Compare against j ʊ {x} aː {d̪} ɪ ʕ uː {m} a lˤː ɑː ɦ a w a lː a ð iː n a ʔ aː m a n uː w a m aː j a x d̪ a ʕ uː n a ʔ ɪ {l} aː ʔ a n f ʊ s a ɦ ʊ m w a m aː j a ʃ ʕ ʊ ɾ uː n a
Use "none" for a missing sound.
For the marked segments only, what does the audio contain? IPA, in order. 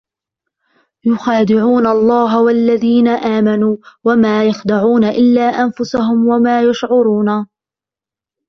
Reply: x, d̪, n, lː

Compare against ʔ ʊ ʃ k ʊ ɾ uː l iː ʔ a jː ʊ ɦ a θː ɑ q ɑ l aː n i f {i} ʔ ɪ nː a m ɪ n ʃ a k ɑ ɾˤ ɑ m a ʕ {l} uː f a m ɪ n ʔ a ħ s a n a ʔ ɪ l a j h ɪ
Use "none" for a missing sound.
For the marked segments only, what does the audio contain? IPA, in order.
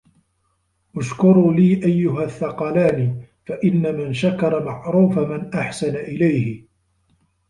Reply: a, ɾ

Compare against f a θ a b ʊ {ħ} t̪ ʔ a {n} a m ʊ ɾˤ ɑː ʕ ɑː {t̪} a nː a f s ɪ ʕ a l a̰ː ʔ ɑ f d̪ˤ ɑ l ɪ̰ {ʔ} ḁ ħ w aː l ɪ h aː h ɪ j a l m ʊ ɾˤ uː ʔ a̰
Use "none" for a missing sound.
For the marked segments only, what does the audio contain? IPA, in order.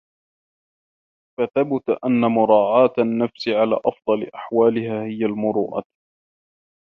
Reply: none, nː, t̪, ʔ

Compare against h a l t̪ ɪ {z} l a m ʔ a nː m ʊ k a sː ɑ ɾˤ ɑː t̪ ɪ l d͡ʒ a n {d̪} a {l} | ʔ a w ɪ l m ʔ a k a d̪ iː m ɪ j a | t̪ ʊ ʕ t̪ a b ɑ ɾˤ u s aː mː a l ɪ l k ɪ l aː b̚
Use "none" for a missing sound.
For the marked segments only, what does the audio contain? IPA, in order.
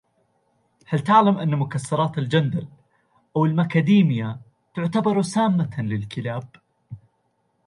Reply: ʕ, d̪, l

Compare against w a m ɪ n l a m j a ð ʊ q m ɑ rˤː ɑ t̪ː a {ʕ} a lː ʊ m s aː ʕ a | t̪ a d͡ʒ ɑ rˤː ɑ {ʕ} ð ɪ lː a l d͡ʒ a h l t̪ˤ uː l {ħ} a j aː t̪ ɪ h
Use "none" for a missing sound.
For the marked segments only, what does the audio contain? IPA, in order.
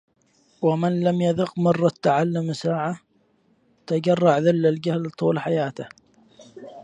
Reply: ʕ, ʕ, ħ

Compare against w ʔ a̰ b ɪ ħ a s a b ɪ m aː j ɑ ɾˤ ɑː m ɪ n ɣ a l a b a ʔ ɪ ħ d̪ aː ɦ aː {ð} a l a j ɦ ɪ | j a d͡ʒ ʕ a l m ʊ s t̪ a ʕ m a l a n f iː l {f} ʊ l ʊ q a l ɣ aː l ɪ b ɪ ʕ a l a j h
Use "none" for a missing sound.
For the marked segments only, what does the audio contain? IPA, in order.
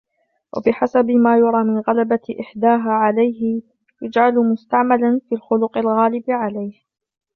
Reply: ʕ, x

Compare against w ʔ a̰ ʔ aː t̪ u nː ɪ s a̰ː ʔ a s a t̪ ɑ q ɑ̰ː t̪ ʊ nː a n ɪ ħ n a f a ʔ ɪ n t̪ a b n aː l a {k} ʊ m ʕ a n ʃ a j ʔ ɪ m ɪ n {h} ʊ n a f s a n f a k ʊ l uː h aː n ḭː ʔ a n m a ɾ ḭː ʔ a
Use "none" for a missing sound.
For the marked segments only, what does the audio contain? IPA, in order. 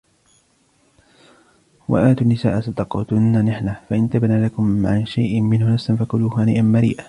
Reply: k, h

